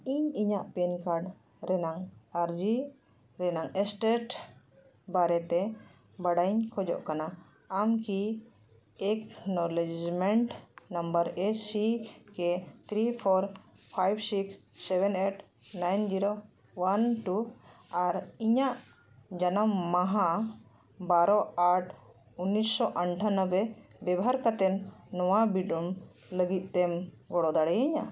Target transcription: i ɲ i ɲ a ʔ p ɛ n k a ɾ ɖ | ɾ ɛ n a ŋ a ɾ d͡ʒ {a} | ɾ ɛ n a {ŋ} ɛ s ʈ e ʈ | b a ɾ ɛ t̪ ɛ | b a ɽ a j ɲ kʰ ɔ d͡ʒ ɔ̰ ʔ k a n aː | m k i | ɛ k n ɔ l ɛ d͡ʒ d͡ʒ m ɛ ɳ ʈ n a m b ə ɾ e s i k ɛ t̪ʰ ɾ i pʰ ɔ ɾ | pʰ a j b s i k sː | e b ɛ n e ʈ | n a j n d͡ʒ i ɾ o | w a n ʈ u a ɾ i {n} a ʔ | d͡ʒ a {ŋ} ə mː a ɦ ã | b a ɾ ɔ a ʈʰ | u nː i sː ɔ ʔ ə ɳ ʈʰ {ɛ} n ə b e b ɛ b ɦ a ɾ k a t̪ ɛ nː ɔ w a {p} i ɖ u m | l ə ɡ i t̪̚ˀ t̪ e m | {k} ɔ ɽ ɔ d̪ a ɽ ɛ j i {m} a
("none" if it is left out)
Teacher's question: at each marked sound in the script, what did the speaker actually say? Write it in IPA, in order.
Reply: i, ŋ, ɲ, n, a, b, ɡ, ɲ

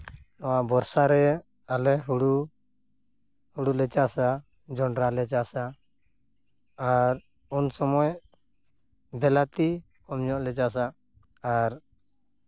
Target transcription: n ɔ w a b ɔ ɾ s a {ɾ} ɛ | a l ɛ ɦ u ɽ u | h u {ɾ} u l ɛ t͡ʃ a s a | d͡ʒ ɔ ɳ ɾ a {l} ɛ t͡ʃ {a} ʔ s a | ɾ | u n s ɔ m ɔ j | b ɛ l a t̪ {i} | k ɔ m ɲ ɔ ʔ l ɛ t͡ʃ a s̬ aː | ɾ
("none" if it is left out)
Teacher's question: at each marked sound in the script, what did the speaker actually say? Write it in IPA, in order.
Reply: ɾ, ɽ, l, a, i

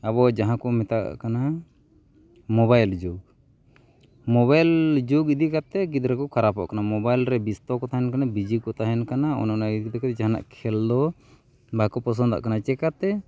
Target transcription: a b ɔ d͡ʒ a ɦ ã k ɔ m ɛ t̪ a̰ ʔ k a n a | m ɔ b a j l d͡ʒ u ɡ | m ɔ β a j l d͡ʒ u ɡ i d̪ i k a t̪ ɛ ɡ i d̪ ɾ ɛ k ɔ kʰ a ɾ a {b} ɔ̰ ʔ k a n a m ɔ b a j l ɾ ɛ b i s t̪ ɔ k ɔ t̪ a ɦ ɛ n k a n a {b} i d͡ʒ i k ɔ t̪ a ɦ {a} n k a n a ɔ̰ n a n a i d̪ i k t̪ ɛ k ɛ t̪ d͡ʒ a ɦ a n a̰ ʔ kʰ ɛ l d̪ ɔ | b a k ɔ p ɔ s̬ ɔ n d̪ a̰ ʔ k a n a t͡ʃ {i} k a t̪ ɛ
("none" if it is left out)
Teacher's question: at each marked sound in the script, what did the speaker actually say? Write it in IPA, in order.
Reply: p, b, ɛ, ɛ

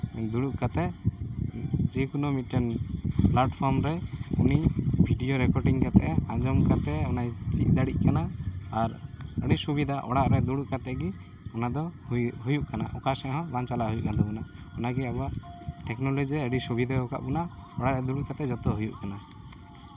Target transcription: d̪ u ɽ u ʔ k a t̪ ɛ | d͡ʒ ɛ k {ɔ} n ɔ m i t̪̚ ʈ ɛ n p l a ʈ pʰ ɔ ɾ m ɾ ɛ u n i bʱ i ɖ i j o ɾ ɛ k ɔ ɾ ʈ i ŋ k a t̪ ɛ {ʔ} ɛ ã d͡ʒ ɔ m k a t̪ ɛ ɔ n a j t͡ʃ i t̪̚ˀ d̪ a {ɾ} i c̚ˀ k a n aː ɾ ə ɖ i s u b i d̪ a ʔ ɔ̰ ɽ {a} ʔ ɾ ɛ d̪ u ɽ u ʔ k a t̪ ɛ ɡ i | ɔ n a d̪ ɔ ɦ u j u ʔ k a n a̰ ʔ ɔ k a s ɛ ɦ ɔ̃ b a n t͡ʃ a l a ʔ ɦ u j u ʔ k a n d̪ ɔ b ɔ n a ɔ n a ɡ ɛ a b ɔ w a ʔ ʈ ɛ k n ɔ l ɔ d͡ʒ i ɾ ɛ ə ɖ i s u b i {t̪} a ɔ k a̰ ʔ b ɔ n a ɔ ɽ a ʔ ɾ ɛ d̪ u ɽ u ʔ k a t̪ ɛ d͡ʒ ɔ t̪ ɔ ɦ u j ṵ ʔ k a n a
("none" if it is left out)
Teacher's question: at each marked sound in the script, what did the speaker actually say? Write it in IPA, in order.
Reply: u, ʔ, ɽ, a, d̪

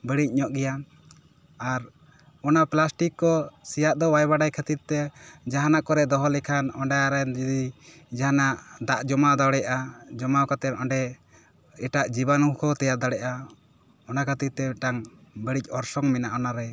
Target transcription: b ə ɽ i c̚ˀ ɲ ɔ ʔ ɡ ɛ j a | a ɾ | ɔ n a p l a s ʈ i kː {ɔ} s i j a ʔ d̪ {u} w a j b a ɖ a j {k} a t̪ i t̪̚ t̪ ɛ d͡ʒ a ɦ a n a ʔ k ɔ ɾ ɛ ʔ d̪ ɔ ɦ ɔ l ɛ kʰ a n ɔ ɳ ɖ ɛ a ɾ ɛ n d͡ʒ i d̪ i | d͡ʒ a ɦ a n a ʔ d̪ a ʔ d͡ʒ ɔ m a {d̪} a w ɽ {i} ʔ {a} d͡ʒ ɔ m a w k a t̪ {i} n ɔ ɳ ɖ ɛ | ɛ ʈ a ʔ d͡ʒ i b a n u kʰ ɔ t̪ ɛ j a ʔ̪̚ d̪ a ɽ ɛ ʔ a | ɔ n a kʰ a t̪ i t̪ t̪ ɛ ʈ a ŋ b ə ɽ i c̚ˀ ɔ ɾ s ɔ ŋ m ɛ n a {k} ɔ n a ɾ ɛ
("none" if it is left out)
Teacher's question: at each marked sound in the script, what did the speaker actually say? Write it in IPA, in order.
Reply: ɔ, ɔ, kʰ, d̪, ɛ, a, ɛ, ʔ

